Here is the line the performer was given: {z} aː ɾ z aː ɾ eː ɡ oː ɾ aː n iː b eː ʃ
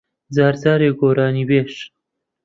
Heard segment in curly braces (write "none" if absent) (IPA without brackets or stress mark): z